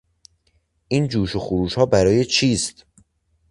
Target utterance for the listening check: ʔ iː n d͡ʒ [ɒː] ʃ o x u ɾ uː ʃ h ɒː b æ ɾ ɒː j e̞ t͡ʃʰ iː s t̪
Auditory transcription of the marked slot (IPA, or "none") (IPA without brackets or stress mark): uː